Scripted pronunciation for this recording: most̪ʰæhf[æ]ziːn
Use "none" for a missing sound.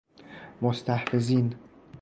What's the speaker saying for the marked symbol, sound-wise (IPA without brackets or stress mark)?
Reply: e